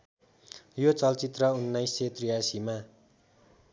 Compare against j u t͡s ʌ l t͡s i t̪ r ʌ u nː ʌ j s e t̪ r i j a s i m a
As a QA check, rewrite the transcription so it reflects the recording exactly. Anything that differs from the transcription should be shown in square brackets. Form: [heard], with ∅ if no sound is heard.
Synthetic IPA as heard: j [o] t͡s ʌ l t͡s i t̪ r ʌ u nː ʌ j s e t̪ r i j a s i m a

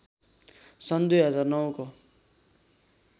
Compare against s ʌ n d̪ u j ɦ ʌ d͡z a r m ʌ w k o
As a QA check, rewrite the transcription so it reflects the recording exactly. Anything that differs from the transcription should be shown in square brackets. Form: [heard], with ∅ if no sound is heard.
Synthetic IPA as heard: s ʌ n d̪ u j ɦ ʌ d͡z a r [n] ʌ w k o

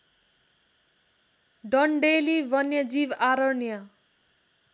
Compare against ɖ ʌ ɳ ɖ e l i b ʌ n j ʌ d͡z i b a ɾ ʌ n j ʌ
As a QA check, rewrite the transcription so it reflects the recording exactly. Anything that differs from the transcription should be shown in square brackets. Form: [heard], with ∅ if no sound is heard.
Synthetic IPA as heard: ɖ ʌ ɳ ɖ e l i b ʌ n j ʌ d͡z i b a ɾ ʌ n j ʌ

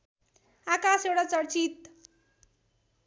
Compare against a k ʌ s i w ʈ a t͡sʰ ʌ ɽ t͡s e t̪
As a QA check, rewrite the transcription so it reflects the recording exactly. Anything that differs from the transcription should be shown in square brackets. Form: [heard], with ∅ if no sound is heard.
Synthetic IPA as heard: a k [a] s [e] w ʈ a [t͡s] ʌ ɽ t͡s [i] t̪

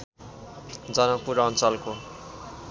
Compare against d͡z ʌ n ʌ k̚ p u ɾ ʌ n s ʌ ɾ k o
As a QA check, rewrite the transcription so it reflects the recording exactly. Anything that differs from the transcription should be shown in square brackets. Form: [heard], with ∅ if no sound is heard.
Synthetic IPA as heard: d͡z ʌ n ʌ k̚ p u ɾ ʌ n [t͡s] ʌ [l] k o

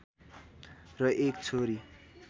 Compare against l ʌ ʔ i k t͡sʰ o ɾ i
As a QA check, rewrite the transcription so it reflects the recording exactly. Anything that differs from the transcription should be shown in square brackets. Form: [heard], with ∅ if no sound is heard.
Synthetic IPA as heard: [r] ʌ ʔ [e] k t͡sʰ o ɾ i

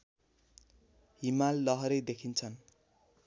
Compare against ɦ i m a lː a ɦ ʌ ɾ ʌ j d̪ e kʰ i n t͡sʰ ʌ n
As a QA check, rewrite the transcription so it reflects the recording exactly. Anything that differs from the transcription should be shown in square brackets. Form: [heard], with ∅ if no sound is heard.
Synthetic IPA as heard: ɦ i m a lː [ʌ] ɦ ʌ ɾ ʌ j d̪ e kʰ i n t͡sʰ ʌ n

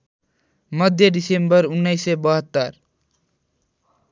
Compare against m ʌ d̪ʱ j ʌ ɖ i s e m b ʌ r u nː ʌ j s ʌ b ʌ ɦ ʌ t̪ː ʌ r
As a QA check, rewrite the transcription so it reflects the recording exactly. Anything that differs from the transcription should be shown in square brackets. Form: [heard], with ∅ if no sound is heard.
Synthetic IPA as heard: m ʌ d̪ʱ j ʌ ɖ i s e m b ʌ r u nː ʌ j s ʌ b ʌ ɦ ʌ t̪ː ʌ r

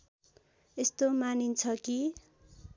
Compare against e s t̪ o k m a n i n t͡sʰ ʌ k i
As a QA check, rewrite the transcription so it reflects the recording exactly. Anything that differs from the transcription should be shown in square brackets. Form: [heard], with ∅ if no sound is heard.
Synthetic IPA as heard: e s t̪ o [∅] m a n i n t͡sʰ ʌ k i

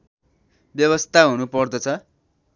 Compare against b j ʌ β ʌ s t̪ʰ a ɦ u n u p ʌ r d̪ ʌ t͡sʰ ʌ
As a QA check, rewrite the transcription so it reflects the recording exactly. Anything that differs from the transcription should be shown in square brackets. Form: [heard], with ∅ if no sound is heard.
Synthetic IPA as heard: b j ʌ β ʌ s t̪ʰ a ɦ u n u p ʌ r d̪ ʌ t͡sʰ ʌ

